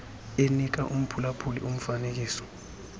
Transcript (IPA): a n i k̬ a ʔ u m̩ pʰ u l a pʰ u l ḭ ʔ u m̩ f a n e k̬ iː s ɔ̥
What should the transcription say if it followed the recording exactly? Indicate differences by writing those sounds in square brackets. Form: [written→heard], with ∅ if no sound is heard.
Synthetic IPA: [a→e] n i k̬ a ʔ u m̩ pʰ u l a pʰ u l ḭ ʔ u m̩ f a n e k̬ iː s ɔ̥